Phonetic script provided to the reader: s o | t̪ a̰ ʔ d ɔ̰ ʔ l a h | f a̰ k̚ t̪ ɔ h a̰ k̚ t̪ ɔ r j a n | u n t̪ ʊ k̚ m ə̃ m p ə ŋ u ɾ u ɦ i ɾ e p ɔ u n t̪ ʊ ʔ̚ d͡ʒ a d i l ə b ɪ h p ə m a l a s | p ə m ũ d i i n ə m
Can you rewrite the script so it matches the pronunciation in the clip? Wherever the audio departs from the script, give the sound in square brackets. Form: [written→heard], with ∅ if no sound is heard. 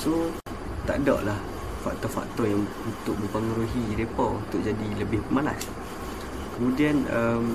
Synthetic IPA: s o | t̪ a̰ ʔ d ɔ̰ ʔ l a h | f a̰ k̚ t̪ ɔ [h→f] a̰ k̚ t̪ ɔ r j a [n→ŋ] | u n t̪ ʊ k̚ m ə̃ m p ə ŋ u ɾ u ɦ i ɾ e p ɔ u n t̪ ʊ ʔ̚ d͡ʒ a d i l ə b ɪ h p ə m a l a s | [p→k] ə m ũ d i [i→a] n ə m